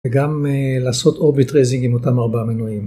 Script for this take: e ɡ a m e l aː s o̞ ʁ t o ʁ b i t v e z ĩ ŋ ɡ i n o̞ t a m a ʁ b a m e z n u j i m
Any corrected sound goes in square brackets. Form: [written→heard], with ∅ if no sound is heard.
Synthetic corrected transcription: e ɡ a m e l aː s o̞ [ʁ→∅] t o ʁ b i t [v→ʁ] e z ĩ ŋ ɡ i [n→m] o̞ t a m a ʁ b a m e [z→∅] n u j i m